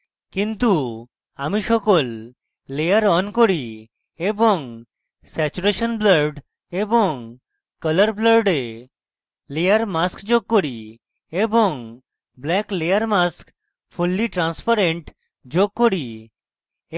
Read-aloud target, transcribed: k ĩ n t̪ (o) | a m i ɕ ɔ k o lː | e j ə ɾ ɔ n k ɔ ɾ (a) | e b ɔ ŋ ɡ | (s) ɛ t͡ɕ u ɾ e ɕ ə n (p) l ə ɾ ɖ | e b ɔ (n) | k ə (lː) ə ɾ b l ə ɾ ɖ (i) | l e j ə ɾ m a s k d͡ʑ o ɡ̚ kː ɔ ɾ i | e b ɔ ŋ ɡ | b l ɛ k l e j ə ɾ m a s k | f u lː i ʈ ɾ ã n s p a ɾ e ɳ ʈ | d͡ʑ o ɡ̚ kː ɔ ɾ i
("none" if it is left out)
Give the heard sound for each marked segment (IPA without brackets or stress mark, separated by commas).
u, i, s, b, ŋ, l, e